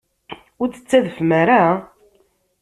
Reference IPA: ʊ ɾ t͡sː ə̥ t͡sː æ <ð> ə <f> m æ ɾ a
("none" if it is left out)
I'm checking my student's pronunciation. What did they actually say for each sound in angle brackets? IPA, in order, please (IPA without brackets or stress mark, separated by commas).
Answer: ð, f